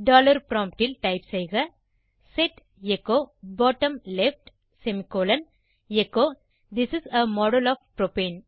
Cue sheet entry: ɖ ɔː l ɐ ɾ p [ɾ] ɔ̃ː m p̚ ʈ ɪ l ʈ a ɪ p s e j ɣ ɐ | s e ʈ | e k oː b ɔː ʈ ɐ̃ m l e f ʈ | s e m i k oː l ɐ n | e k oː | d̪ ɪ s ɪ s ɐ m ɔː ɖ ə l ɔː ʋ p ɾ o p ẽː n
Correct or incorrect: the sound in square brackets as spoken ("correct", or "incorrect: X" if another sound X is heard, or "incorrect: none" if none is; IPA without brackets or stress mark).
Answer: correct